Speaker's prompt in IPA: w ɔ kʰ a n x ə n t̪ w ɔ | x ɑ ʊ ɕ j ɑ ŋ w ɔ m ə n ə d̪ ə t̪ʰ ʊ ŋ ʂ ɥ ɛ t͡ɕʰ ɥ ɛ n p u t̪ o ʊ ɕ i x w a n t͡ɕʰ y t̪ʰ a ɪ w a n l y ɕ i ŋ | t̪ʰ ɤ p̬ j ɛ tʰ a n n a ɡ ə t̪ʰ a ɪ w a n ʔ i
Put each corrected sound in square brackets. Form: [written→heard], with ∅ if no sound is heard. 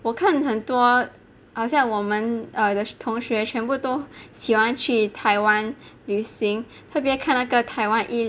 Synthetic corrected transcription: w ɔ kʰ a n x ə n t̪ w ɔ | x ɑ ʊ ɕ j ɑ ŋ w ɔ m ə n ə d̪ ə t̪ʰ ʊ ŋ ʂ ɥ ɛ t͡ɕʰ ɥ ɛ n p u t̪ o ʊ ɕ i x w a n t͡ɕʰ y t̪ʰ a ɪ w a n l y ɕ i ŋ | t̪ʰ ɤ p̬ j ɛ [tʰ→kʰ] a n n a ɡ ə t̪ʰ a ɪ w a n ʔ i